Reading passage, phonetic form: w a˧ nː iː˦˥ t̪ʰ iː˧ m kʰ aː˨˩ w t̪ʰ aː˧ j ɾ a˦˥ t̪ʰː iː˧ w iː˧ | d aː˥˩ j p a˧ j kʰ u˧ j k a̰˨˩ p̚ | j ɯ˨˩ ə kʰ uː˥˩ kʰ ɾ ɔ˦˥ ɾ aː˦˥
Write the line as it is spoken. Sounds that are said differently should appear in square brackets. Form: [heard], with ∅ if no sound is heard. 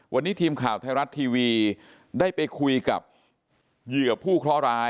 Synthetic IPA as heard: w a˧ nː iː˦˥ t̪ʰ iː˧ m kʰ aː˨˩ w t̪ʰ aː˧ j ɾ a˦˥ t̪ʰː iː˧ w iː˧ | d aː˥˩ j p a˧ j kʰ u˧ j k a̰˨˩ p̚ | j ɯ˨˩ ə [pʰ] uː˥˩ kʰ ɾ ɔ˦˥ ɾ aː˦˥